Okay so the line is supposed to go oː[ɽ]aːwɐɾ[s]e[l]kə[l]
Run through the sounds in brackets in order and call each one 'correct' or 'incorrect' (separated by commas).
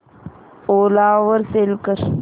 incorrect, correct, correct, incorrect